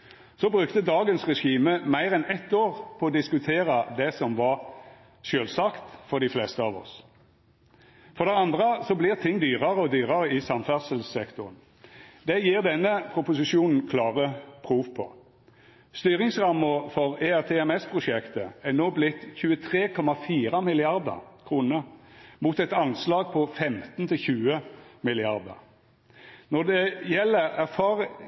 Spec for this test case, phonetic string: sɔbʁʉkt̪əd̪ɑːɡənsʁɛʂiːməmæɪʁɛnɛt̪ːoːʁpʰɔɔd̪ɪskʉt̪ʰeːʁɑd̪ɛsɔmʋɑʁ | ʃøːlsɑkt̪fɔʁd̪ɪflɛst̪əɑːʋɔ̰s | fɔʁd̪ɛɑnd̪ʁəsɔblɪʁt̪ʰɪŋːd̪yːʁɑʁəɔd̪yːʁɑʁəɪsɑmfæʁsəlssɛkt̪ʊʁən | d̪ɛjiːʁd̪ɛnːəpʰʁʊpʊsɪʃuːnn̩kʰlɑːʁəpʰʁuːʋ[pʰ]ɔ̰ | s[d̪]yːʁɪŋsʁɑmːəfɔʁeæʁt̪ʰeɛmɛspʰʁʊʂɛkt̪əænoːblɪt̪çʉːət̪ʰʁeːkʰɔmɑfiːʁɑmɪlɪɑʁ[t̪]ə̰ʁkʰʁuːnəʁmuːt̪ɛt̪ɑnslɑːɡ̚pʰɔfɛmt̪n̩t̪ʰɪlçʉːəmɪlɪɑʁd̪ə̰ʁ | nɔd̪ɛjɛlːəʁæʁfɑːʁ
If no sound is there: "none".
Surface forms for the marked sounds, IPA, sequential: pʰ, t̪, d̪

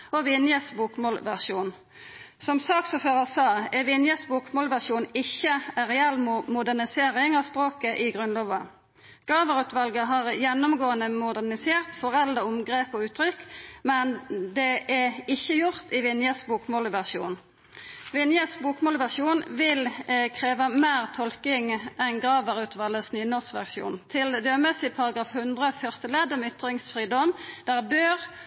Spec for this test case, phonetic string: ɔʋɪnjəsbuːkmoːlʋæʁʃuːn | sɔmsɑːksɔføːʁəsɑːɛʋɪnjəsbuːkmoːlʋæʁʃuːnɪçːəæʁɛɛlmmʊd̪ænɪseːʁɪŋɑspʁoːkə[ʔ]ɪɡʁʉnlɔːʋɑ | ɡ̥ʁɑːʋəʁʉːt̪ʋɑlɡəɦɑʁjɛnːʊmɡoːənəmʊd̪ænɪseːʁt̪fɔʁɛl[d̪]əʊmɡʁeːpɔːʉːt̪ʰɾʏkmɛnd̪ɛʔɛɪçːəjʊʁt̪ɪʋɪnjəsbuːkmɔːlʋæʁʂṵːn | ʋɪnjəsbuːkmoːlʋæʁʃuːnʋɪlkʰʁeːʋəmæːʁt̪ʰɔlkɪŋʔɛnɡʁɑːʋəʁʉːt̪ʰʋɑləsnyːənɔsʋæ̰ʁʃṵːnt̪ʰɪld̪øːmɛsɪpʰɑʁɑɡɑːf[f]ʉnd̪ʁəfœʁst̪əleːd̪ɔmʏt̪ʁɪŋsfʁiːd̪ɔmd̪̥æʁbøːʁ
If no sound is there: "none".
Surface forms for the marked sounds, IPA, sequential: ʔ, d̪, h

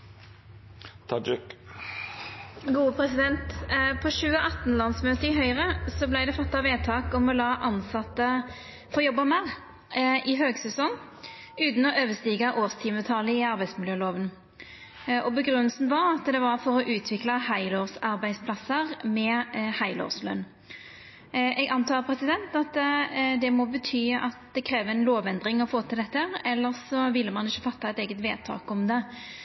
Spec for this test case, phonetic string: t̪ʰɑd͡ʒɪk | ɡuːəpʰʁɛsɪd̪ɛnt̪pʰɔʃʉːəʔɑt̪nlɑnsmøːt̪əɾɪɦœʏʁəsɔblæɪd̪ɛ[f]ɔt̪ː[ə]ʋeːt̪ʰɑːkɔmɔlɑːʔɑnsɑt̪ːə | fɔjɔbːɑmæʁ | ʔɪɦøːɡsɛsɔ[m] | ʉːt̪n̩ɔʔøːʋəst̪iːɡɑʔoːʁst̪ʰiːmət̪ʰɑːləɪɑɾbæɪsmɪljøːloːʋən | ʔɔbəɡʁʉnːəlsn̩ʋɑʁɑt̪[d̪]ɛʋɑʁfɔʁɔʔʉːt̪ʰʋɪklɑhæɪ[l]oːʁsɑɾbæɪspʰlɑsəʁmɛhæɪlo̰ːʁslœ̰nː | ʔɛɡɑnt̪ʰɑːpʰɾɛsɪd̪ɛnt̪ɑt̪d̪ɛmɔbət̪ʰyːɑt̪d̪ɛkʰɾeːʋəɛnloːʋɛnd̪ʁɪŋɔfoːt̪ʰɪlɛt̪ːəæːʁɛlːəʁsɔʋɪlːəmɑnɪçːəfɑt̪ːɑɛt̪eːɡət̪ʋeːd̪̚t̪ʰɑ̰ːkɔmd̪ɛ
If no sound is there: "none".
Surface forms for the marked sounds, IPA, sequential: f, ɑ, ŋ, d̪, l

